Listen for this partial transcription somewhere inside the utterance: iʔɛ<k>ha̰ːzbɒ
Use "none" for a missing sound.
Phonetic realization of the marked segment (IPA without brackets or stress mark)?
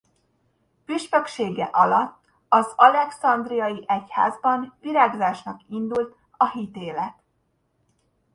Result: c